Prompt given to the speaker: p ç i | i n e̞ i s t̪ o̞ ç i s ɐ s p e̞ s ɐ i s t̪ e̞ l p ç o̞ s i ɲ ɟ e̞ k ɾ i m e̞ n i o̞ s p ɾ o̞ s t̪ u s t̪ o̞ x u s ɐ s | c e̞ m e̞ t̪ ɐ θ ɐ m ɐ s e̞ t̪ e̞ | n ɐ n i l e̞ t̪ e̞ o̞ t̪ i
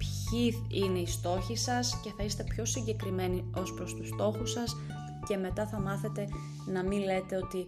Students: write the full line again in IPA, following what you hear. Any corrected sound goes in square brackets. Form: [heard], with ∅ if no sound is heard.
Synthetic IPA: p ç i | i n e̞ i s t̪ o̞ ç i s ɐ s [c] e̞ [θ] ɐ i s t̪ e̞ [∅] p ç o̞ s i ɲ ɟ e̞ k ɾ i m e̞ n i o̞ s p ɾ o̞ s t̪ u s t̪ o̞ x u s ɐ s | c e̞ m e̞ t̪ ɐ θ ɐ m ɐ [θ] e̞ t̪ e̞ | n ɐ [m] i l e̞ t̪ e̞ o̞ t̪ i